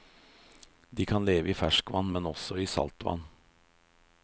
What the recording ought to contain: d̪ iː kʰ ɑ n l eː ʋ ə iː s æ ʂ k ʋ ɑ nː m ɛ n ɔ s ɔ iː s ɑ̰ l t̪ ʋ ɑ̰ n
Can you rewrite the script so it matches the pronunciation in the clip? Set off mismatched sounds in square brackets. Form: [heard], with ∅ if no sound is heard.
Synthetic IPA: d̪ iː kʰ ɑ n l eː ʋ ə iː [f] æ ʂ k ʋ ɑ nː m ɛ n ɔ s ɔ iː s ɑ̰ l t̪ ʋ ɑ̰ n